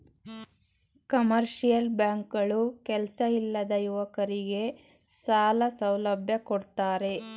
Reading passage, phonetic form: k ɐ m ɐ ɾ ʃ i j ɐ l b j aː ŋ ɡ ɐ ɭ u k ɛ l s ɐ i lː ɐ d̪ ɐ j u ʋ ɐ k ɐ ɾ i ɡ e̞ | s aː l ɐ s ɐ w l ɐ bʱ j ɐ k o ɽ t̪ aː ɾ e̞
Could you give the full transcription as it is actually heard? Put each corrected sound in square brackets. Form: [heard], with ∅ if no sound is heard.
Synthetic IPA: k ɐ m ɐ ɾ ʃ i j ɐ l b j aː ŋ [k] ɐ ɭ u k ɛ l s ɐ i lː ɐ d̪ ɐ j u ʋ ɐ k ɐ ɾ i ɡ e̞ | s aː l ɐ s ɐ w l ɐ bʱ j ɐ k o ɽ t̪ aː ɾ e̞